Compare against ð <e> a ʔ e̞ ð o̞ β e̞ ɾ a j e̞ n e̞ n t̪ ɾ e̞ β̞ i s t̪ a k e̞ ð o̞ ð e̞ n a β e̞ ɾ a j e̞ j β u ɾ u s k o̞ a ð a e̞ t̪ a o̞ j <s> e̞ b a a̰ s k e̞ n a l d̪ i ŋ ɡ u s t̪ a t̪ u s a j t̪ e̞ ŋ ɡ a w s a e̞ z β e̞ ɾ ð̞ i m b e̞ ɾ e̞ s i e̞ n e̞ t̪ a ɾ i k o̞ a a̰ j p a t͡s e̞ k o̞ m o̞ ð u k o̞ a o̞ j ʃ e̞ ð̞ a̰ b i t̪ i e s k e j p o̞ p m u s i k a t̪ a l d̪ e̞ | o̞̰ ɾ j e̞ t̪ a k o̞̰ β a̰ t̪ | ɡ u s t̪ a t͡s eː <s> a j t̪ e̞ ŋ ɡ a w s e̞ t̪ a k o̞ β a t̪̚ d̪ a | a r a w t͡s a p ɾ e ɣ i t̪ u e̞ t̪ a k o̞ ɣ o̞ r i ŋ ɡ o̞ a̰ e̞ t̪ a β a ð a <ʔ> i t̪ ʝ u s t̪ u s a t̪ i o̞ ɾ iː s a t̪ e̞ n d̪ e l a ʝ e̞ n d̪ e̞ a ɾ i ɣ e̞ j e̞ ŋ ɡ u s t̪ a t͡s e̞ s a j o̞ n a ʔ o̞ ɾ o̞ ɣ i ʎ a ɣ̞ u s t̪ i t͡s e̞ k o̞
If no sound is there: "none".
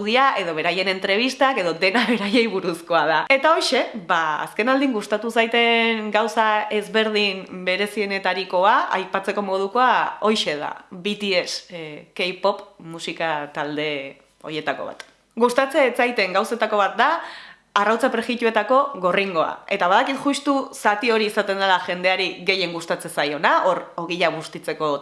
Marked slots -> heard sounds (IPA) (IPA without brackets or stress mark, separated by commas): i, ʃ, t͡s, k